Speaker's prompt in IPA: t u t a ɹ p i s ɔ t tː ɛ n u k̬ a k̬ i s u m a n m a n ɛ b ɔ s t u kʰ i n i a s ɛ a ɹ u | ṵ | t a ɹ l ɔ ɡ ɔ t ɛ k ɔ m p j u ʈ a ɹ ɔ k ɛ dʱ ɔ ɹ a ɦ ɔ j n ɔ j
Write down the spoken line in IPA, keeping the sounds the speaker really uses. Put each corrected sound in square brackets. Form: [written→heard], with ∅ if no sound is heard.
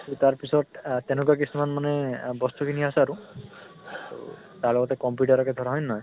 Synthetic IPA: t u t a ɹ p i s ɔ t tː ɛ n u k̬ a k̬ i s u m a n m a n ɛ b ɔ s t u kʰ i n i a s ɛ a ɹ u | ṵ | t a ɹ l ɔ ɡ ɔ t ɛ k ɔ m p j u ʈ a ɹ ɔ k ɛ dʱ ɔ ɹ a ɦ ɔ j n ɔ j